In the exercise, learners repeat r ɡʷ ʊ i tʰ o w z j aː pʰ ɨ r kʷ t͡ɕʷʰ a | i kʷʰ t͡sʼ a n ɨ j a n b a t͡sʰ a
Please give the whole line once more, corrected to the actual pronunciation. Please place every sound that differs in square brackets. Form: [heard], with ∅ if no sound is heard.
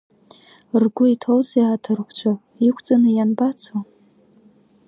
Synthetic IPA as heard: r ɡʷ ʊ i tʰ o w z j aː [tʰ] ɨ r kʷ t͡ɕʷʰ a | i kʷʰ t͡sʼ a n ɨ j a n b a t͡sʰ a